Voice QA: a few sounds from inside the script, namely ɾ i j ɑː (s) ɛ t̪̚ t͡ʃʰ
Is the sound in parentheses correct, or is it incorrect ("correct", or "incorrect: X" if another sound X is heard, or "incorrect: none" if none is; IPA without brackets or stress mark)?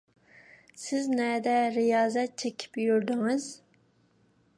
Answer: incorrect: z